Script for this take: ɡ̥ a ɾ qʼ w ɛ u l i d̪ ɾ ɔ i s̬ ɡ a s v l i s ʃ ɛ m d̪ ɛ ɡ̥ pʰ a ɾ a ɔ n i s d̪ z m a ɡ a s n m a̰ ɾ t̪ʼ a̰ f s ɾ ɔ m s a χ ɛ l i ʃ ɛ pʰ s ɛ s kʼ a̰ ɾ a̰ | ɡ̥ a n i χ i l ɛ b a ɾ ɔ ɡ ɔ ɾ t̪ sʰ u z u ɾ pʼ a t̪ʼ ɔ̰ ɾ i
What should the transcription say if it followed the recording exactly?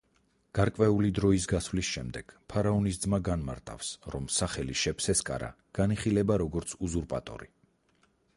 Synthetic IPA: ɡ̥ a ɾ kʼ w ɛ u l i d̪ ɾ ɔ i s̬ ɡ a s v l i s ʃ ɛ m d̪ ɛ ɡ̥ pʰ a ɾ a ɔ n i s d̪ z m a ɡ a n m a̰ ɾ t̪ʼ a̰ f s ɾ ɔ m s a χ ɛ l i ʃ ɛ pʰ s ɛ s kʼ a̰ ɾ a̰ | ɡ̥ a n i χ i l ɛ b a ɾ ɔ ɡ ɔ ɾ t̪ sʰ u z u ɾ pʼ a t̪ʼ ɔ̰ ɾ i